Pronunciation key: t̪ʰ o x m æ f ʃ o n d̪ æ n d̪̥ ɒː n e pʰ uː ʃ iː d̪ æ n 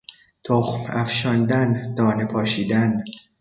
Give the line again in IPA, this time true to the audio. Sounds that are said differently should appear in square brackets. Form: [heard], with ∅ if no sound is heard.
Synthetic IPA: t̪ʰ o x m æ f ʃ [ɒ] n d̪ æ n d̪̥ ɒː n e pʰ [ɒː] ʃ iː d̪ æ n